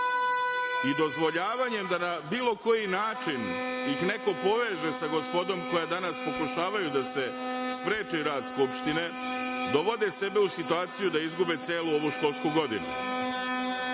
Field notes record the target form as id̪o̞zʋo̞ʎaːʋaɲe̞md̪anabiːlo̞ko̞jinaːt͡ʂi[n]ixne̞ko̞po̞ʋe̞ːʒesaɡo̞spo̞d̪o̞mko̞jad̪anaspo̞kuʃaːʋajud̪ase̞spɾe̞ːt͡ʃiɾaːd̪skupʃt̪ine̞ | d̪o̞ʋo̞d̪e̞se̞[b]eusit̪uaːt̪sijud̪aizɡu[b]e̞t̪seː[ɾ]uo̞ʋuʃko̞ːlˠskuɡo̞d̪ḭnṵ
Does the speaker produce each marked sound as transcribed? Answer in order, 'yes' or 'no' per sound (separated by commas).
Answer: yes, yes, yes, no